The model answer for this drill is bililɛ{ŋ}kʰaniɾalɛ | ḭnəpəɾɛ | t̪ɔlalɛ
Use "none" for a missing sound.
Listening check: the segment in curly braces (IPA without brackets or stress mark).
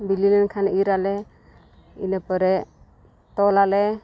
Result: n